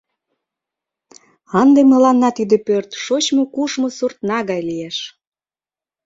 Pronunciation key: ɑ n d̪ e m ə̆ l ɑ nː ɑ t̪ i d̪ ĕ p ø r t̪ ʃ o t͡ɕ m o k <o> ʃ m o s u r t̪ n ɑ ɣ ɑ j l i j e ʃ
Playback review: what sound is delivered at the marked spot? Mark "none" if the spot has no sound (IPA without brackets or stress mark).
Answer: u